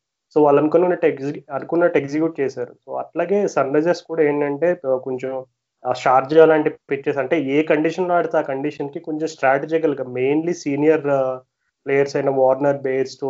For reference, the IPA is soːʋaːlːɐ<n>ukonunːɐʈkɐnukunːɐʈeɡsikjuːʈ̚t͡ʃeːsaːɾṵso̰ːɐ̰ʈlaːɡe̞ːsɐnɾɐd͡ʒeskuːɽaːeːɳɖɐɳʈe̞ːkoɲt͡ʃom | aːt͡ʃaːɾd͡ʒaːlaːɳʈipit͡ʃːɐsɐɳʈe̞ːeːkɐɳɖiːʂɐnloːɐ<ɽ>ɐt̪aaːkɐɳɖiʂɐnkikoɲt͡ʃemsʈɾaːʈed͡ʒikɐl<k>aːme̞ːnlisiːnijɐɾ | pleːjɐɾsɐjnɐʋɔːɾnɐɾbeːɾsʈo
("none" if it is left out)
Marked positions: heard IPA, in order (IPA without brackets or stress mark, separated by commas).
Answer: n, ɽ, ɡ